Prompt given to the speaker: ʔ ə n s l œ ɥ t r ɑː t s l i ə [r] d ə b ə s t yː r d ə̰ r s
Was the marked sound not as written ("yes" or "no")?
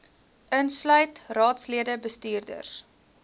yes